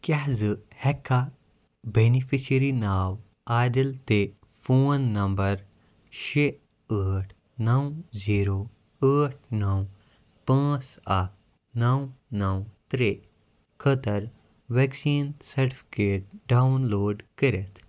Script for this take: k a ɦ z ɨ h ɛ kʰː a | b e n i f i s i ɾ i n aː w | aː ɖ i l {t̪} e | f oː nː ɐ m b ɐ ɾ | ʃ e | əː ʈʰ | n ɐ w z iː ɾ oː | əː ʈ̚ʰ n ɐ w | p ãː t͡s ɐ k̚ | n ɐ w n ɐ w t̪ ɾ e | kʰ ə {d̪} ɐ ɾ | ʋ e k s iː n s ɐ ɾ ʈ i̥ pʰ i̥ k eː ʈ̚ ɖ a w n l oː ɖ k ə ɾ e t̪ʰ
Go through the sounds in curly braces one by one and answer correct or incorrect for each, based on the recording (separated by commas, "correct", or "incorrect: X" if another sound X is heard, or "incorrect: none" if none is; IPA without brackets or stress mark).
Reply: correct, incorrect: t̪